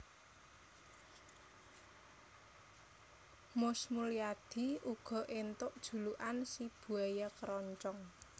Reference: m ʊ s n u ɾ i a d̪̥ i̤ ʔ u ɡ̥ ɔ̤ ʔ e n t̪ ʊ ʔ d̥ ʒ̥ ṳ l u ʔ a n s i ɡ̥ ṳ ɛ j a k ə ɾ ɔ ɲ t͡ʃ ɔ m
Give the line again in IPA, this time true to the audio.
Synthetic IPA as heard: m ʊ s m u l i a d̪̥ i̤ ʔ u ɡ̥ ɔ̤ ʔ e n t̪ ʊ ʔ d̥ ʒ̥ ṳ l u ʔ a n s i b̥ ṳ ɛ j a k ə ɾ ɔ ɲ t͡ʃ ɔ ŋ